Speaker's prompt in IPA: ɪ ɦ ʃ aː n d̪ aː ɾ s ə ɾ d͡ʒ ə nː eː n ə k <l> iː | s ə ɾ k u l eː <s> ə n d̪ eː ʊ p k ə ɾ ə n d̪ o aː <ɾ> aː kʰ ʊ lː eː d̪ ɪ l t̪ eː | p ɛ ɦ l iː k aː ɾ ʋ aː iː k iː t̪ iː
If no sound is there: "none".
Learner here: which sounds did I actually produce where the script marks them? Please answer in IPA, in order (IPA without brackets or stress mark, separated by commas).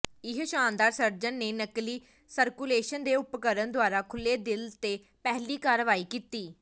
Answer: l, ʃ, ɾ